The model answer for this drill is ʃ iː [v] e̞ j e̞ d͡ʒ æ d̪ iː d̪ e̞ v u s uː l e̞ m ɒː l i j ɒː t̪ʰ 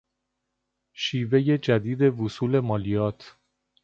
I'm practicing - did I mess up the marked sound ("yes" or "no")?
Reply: no